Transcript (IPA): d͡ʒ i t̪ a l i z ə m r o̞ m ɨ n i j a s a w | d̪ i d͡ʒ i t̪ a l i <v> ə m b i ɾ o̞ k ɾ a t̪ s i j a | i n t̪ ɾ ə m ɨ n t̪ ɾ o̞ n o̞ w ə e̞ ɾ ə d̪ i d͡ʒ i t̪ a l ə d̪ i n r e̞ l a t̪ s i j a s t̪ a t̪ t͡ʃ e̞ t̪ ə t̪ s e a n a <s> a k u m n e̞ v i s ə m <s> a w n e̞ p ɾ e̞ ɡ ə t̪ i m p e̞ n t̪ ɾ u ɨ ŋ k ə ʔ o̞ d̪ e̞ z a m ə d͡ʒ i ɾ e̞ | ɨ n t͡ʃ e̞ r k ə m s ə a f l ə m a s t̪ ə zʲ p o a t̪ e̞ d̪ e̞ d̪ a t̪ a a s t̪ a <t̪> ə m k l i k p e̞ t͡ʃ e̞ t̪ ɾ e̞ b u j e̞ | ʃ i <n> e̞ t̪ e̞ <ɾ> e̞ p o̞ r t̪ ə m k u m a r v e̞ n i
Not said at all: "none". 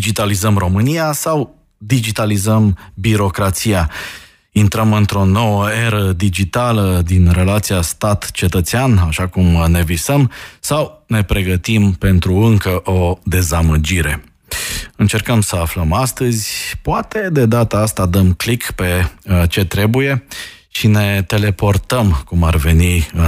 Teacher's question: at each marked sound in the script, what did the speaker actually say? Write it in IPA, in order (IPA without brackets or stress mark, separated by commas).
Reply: z, ʃ, s, d̪, n, l